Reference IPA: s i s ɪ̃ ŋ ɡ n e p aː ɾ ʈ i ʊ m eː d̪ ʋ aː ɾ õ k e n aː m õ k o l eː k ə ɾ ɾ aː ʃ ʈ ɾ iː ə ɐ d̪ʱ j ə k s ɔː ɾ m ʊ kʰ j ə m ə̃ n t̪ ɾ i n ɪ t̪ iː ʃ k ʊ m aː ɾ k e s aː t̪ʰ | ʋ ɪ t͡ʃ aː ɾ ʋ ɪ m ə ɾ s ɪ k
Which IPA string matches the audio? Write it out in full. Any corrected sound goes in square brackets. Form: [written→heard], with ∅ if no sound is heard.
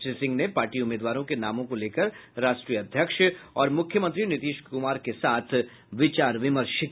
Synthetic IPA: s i s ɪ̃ ŋ ɡ n e p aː ɾ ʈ i ʊ m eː d̪ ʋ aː ɾ õ k e n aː m õ k o l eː k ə ɾ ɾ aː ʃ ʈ ɾ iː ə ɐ d̪ʱ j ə k [s→ʃ] ɔː ɾ m ʊ kʰ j ə m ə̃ n t̪ ɾ i n ɪ t̪ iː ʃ k ʊ m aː ɾ k e s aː t̪ʰ | ʋ ɪ t͡ʃ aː ɾ ʋ ɪ m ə ɾ [s→ʃ] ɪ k

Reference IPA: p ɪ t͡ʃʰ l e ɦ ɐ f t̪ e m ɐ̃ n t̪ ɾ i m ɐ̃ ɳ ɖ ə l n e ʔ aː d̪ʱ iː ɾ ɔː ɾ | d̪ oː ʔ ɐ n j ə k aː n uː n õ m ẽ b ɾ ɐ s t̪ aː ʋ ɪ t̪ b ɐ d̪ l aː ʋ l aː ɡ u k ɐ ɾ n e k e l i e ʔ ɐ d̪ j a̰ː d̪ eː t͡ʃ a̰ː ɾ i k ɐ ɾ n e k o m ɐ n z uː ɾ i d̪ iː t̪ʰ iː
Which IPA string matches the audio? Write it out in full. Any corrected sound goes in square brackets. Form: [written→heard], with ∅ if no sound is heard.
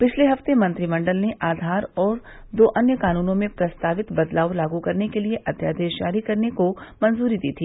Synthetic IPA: p ɪ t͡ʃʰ l e ɦ ɐ f t̪ e m ɐ̃ n t̪ ɾ i m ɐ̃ ɳ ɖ ə l n e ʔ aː d̪ʱ [iː→aː] ɾ ɔː ɾ | d̪ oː ʔ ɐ n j ə k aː n uː n õ m ẽ [b→p] ɾ ɐ s t̪ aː ʋ ɪ t̪ b ɐ d̪ l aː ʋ l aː ɡ u k ɐ ɾ n e k e l i e ʔ ɐ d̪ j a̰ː d̪ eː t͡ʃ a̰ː ɾ i k ɐ ɾ n e k o m ɐ n z uː ɾ i d̪ iː t̪ʰ iː

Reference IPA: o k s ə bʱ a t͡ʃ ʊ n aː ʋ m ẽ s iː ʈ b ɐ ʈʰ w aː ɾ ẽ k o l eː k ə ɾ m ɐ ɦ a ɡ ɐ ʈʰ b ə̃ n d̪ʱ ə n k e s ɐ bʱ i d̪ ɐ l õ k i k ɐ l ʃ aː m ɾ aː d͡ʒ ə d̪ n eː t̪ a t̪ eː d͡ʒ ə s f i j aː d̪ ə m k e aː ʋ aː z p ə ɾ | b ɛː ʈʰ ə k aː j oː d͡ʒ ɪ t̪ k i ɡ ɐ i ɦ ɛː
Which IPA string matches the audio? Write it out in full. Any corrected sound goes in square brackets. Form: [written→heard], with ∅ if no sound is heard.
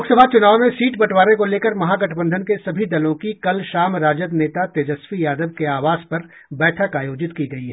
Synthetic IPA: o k s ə bʱ a t͡ʃ ʊ n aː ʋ m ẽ s iː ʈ b ɐ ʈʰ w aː ɾ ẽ k o l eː k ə ɾ m ɐ ɦ a ɡ ɐ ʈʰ b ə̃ n d̪ʱ ə n k e s ɐ bʱ i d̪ ɐ l õ k i k ɐ l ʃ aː m ɾ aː d͡ʒ ə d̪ n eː t̪ a t̪ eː d͡ʒ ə s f i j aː d̪ ə [m→b] k e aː ʋ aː z p [ə→ɐ] ɾ | b ɛː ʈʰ ə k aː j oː d͡ʒ ɪ t̪ k i ɡ ɐ i ɦ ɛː

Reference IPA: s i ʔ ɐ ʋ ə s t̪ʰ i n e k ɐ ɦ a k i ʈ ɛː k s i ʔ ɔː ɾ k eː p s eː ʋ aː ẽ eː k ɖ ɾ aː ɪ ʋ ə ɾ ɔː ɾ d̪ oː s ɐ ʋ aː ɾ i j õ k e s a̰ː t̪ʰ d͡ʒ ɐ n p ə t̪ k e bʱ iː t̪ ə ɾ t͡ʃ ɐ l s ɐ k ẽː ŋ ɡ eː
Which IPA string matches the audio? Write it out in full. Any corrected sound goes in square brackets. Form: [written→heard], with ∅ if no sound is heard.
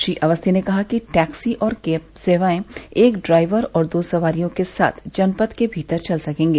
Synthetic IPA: [s→ʃ] i ʔ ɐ ʋ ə s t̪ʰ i n e k ɐ ɦ a k i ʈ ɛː k s i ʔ ɔː ɾ k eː p s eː ʋ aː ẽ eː k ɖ ɾ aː ɪ ʋ ə ɾ ɔː ɾ d̪ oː s ɐ ʋ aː ɾ i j õ k e s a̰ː t̪ʰ d͡ʒ ɐ n p ə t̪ k e bʱ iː t̪ ə ɾ t͡ʃ ɐ l s ɐ k ẽː ŋ ɡ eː

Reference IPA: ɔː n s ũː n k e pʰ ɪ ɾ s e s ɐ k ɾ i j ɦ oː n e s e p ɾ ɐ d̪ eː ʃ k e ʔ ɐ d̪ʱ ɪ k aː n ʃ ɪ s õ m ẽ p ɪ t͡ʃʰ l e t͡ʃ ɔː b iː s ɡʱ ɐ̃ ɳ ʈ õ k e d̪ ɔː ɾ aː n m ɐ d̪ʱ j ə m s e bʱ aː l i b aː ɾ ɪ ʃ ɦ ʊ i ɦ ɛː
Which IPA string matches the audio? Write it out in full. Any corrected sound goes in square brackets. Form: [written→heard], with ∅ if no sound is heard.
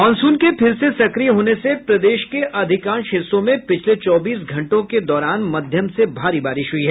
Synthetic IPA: ɔː n s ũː n k e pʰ ɪ ɾ s e s ɐ k ɾ i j ɦ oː n e s e p ɾ ɐ d̪ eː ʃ k e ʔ ɐ d̪ʱ ɪ k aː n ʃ ɪ s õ m ẽ p ɪ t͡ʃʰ l e t͡ʃ ɔː b iː s ɡʱ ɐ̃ ɳ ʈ õ k e d̪ ɔː ɾ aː n m ɐ d̪ʱ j ə m s e bʱ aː [l→ɾ] i b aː ɾ ɪ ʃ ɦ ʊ i ɦ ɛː

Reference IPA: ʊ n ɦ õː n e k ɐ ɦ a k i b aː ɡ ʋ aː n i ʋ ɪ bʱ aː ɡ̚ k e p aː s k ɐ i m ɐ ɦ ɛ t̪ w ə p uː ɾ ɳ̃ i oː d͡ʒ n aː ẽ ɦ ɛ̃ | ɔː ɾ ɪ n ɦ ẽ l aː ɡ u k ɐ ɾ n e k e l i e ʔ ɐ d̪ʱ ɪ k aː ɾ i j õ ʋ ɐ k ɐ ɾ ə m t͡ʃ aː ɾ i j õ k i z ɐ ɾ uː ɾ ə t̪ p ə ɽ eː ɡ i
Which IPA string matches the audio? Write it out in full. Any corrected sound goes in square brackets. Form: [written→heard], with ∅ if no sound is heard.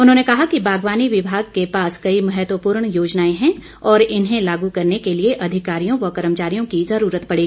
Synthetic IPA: ʊ n ɦ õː n e k ɐ ɦ a k i b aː ɡ ʋ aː n i ʋ ɪ bʱ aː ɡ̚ k e p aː s k ɐ i m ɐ ɦ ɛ t̪ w ə p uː ɾ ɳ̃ [i→j] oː d͡ʒ n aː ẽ ɦ ɛ̃ | ɔː ɾ ɪ n ɦ ẽ l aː ɡ u k ɐ ɾ n e k e l i e ʔ ɐ d̪ʱ ɪ k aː ɾ i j õ ʋ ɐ k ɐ ɾ ə m t͡ʃ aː ɾ i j õ k i z ɐ ɾ uː ɾ ə t̪ p [ə→ɐ] ɽ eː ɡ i

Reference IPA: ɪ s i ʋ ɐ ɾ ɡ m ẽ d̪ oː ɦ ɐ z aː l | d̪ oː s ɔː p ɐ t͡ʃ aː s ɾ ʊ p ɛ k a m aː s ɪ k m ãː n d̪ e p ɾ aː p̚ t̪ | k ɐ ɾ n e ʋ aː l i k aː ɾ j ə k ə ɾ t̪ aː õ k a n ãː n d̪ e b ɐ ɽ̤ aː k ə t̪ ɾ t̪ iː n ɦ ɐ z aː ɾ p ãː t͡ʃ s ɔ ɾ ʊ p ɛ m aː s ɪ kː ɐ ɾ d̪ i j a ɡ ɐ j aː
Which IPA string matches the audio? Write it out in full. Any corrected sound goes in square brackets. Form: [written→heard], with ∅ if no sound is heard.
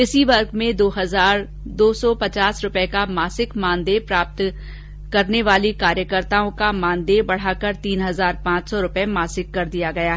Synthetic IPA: ɪ s i ʋ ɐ ɾ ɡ m ẽ d̪ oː ɦ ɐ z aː [l→ɾ] | d̪ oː s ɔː p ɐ t͡ʃ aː s ɾ ʊ p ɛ k a m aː s ɪ k m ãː n d̪ e p ɾ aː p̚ t̪ | k ɐ ɾ n e ʋ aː l i k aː ɾ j ə k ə ɾ t̪ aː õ k a [n→m] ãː n d̪ e b ɐ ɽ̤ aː k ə [t̪→∅] ɾ t̪ iː n ɦ ɐ z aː ɾ p ãː t͡ʃ s ɔ ɾ ʊ p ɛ m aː s ɪ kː ɐ ɾ d̪ i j a ɡ ɐ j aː

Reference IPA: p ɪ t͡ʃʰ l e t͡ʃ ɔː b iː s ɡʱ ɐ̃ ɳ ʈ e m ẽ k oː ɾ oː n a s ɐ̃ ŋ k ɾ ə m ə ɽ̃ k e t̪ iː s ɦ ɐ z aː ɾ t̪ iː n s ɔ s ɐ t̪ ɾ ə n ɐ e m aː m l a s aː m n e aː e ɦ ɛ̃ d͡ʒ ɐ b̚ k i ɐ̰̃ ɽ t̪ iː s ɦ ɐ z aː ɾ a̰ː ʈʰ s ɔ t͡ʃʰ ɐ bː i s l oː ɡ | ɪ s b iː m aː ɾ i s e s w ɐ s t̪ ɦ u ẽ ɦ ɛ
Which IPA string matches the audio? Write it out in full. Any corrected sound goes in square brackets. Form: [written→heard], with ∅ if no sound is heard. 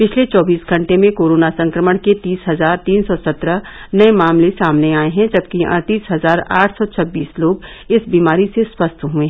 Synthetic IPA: p ɪ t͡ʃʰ l e t͡ʃ ɔː b iː s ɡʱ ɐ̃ ɳ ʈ e m ẽ k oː ɾ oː n a s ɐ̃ ŋ k ɾ ə m ə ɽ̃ k e t̪ iː s ɦ ɐ z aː ɾ t̪ iː n s ɔ s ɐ t̪ ɾ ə n ɐ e m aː m l [a→e] s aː m n e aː e ɦ ɛ̃ d͡ʒ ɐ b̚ k i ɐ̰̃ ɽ t̪ iː s ɦ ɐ z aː ɾ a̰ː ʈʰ s ɔ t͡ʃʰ ɐ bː [i→iː] s l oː ɡ | ɪ s b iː m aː ɾ i s e s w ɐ s t̪ ɦ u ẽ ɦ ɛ

